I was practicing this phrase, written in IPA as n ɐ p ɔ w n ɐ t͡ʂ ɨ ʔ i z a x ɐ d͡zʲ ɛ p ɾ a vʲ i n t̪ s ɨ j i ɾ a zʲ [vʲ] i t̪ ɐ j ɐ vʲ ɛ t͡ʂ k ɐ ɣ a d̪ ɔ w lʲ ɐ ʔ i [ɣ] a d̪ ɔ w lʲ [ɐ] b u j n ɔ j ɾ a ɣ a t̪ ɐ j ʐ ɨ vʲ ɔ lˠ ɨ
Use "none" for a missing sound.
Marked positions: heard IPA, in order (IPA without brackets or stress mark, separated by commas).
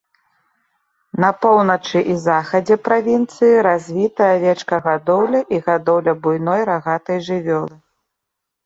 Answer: vʲ, ɣ, ɐ